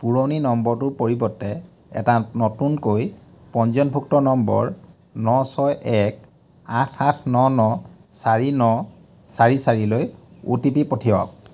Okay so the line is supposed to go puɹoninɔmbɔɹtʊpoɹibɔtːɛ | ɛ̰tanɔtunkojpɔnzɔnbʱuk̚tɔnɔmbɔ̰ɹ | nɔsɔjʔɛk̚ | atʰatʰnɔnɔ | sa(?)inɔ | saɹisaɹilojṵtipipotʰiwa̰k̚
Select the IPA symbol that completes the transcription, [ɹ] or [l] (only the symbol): ɹ